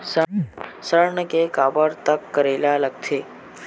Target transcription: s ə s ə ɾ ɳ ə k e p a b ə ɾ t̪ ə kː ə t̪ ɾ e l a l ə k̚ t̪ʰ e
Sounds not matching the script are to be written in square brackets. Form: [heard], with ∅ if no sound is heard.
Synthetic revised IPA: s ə s ə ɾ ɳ ə k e [k] a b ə ɾ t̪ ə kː ə [∅] ɾ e l a l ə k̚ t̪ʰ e